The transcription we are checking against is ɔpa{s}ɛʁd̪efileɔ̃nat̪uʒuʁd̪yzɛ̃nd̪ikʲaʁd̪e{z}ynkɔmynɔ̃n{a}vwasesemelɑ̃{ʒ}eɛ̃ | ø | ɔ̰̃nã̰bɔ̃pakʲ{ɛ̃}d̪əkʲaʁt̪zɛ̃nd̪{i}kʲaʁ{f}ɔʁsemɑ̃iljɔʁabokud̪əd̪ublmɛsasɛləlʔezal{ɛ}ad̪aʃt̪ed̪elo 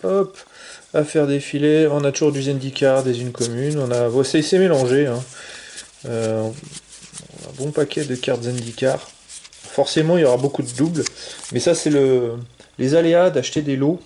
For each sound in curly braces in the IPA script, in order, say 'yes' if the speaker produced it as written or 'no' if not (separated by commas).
no, yes, yes, yes, no, yes, yes, no